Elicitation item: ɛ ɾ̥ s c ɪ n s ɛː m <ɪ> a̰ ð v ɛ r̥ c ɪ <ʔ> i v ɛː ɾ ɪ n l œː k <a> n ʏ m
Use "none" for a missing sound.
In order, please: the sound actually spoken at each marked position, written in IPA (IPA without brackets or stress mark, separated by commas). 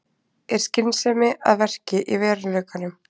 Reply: ɪ, ʔ, a